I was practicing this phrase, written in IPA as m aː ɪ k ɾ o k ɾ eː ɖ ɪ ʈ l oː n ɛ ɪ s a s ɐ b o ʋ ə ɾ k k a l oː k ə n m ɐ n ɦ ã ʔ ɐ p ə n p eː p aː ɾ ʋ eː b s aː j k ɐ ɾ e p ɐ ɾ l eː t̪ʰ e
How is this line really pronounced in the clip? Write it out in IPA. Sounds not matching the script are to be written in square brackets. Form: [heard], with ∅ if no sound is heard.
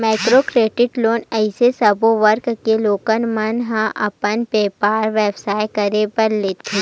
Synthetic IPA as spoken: m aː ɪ k ɾ o k ɾ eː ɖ ɪ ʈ l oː n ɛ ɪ s [e] s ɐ b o ʋ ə ɾ k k [e] l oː k ə n m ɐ n ɦ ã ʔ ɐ p ə n p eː p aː ɾ ʋ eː b s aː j k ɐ ɾ e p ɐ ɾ l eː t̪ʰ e

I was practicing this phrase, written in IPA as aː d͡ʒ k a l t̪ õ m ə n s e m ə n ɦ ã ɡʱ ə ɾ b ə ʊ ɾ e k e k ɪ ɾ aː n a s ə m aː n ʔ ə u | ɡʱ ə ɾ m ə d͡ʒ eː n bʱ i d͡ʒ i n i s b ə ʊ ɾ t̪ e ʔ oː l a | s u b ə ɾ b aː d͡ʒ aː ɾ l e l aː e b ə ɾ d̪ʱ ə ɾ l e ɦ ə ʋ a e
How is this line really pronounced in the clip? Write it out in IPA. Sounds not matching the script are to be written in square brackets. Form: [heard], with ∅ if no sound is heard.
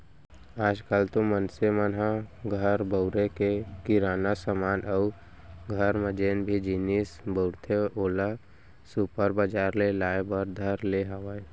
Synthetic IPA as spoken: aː d͡ʒ k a l t̪ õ m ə n s e m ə n ɦ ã ɡʱ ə ɾ b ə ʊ ɾ e k e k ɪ ɾ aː n a s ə m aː n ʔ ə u | ɡʱ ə ɾ m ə d͡ʒ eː n bʱ i d͡ʒ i n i s b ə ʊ ɾ [t̪ʰ] e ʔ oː l a | s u [p] ə ɾ b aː d͡ʒ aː ɾ l e l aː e b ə ɾ d̪ʱ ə ɾ l e ɦ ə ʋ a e

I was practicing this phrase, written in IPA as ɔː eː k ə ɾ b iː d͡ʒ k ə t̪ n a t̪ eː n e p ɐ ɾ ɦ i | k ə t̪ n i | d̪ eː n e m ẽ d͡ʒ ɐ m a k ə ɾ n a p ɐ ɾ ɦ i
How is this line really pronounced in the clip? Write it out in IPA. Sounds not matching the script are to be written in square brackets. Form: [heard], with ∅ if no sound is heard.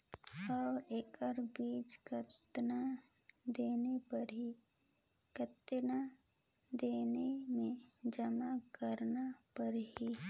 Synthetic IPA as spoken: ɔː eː k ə ɾ b iː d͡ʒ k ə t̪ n a [d̪] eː n e p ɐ ɾ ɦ i | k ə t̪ n [a] | d̪ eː n e m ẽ d͡ʒ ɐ m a k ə ɾ n a p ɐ ɾ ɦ i

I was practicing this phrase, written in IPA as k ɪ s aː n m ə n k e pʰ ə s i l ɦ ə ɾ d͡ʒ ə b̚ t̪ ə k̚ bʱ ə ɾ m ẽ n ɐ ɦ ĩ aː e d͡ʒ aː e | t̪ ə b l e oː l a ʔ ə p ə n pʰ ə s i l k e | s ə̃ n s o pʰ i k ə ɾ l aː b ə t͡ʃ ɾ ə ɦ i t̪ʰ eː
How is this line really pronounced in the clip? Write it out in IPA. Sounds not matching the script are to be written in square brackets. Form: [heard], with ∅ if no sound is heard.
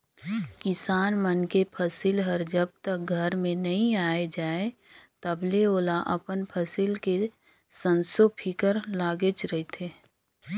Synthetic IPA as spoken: k ɪ s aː n m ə n k e pʰ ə s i l ɦ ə ɾ d͡ʒ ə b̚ t̪ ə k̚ [ɡʱ] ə ɾ m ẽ n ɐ ɦ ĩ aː e d͡ʒ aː e | t̪ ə b l e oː l a ʔ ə p ə n pʰ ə s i l k e | s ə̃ n s o pʰ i k ə ɾ l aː [ɡ] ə t͡ʃ ɾ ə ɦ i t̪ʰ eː

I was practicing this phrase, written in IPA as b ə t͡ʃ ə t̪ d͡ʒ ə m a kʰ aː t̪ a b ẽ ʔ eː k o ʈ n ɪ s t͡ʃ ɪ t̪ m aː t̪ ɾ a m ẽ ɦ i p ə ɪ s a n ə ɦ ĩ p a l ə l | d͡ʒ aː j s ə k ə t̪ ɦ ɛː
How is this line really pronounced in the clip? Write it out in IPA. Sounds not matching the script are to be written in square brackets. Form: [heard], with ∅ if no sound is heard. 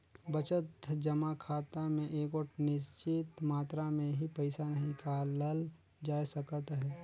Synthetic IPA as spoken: b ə t͡ʃ ə t̪ d͡ʒ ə m a kʰ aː t̪ a [m] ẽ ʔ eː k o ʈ n ɪ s t͡ʃ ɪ t̪ m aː t̪ ɾ a m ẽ ɦ i p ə ɪ s a n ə ɦ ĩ [k] a l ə l | d͡ʒ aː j s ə k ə t̪ ɦ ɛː

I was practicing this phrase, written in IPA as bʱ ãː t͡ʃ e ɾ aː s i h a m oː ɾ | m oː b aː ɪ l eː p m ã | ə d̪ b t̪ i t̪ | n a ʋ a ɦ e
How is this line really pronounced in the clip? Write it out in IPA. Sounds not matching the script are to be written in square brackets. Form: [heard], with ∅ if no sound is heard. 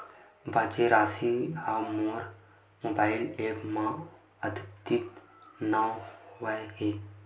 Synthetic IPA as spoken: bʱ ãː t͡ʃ e ɾ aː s i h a m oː ɾ | m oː b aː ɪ l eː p m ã | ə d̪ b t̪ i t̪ | n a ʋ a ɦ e

